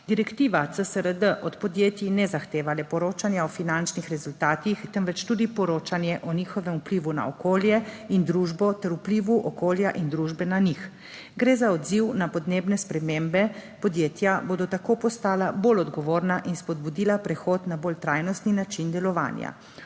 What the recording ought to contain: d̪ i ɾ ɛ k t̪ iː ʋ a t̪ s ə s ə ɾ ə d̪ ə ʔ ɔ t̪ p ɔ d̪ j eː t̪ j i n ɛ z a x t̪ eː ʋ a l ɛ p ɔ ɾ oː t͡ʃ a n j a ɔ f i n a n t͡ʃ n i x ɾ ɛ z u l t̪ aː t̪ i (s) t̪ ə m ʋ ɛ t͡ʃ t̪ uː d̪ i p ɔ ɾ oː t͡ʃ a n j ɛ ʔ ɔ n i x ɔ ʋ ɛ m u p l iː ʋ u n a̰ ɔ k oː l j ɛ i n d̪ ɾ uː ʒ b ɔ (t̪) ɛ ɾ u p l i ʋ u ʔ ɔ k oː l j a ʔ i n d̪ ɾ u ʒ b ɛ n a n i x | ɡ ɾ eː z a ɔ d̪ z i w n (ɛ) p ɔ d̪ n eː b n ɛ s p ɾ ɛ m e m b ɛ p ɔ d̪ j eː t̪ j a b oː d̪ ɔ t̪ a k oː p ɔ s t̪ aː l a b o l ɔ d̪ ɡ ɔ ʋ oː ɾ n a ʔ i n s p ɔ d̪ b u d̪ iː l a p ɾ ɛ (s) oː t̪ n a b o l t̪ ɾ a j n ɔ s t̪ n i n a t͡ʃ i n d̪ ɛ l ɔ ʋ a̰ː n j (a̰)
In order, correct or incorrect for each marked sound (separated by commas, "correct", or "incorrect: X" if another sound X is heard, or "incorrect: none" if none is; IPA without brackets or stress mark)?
incorrect: x, correct, incorrect: a, incorrect: x, correct